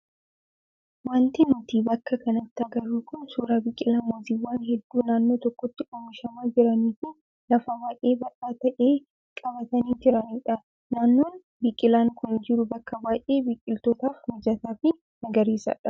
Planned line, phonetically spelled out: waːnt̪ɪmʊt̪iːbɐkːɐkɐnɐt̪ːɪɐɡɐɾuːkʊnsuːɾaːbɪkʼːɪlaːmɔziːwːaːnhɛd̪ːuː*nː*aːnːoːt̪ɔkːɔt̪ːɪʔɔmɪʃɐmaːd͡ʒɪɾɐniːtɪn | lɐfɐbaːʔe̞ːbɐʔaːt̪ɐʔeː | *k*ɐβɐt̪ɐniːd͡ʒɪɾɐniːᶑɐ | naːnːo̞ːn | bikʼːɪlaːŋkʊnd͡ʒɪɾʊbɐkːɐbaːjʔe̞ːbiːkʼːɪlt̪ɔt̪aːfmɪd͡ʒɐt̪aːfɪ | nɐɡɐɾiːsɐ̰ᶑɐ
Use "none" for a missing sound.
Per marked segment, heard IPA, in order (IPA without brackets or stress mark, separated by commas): n, kʼ